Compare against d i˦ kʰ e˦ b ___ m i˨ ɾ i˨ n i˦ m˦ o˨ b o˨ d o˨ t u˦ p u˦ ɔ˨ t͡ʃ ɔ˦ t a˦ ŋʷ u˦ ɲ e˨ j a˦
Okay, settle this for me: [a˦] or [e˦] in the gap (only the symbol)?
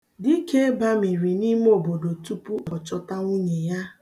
a˦